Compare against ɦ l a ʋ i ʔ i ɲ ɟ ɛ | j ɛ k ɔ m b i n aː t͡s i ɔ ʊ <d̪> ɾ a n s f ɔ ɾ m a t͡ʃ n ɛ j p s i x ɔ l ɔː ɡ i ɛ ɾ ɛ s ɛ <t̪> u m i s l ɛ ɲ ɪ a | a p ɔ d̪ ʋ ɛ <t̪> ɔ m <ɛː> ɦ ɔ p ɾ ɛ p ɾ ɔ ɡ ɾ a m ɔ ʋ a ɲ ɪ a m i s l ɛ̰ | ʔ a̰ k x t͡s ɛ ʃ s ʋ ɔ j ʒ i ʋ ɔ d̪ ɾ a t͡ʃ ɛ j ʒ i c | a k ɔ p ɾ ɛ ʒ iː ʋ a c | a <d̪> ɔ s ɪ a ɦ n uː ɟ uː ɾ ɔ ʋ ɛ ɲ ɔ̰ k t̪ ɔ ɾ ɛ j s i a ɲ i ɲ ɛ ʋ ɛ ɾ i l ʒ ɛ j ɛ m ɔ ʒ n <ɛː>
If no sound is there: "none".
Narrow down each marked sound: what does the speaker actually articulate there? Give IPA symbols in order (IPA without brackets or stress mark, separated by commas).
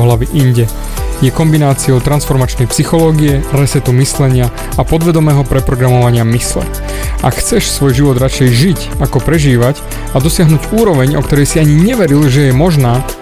t̪, t̪, d̪, ɛː, d̪, aː